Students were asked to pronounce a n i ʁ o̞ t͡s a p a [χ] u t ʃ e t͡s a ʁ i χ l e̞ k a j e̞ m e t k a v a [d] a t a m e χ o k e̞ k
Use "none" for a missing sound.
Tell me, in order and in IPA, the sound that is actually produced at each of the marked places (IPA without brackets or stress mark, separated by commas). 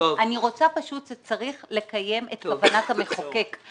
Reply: ʃ, n